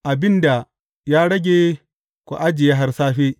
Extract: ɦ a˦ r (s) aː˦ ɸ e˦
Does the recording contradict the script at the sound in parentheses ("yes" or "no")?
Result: no